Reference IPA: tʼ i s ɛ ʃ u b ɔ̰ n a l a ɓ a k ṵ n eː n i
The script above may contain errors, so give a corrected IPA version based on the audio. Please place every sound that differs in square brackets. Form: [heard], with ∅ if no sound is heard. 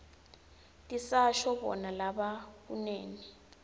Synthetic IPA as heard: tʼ i s [a] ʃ [ɔ] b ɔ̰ n a l a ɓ a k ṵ n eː n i